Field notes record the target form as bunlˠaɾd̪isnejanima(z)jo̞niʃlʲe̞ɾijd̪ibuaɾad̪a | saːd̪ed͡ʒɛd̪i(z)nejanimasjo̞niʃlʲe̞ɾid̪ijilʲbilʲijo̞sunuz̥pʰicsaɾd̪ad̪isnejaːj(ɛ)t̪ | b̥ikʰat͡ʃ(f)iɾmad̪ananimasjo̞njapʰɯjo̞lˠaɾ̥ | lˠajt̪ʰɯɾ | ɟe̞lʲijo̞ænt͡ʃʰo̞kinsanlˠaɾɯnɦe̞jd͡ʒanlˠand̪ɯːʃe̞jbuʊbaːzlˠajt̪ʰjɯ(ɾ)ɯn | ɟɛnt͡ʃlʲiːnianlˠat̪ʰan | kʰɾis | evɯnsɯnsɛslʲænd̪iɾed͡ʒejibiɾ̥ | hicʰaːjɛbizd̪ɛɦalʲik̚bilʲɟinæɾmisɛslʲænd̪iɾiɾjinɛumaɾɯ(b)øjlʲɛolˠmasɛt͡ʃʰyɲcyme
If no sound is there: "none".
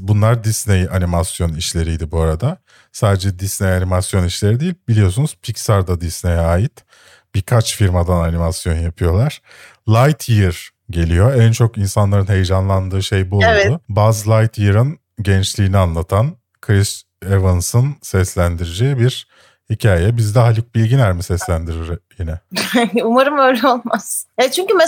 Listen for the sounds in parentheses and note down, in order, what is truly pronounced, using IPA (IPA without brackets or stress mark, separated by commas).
s, s, i, f, ɾ, m